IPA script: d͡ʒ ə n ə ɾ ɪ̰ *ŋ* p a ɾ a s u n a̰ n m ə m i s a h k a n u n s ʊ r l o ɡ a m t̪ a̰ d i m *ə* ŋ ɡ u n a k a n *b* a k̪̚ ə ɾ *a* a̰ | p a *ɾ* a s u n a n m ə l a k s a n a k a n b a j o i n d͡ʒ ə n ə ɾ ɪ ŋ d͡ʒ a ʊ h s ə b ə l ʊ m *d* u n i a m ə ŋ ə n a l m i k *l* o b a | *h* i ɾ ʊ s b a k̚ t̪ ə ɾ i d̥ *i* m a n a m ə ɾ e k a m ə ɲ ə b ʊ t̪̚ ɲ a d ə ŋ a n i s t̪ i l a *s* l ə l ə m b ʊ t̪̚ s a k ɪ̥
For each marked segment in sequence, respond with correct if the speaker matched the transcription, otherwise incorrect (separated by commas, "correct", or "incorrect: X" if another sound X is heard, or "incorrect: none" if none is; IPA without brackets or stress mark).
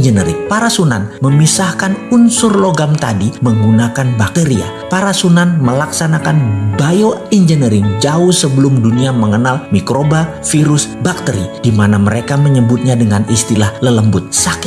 correct, correct, correct, incorrect: i, correct, correct, incorrect: ɾ, incorrect: f, correct, incorrect: h